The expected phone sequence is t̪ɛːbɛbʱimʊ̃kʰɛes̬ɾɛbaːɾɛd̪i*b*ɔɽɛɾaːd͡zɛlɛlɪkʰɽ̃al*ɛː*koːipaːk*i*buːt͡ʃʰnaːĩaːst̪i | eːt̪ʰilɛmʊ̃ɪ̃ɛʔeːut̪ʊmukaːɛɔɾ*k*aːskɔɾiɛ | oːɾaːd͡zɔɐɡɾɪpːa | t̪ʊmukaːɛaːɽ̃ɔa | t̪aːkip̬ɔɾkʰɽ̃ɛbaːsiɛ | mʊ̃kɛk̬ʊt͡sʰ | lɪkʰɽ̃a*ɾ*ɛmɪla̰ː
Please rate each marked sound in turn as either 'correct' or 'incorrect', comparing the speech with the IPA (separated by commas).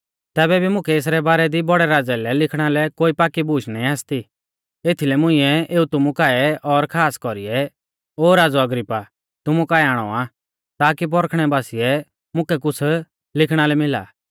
correct, incorrect, correct, incorrect, incorrect